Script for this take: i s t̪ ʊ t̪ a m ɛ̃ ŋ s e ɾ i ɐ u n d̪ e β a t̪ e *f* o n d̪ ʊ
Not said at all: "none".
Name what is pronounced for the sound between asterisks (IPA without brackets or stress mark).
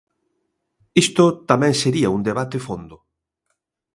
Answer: f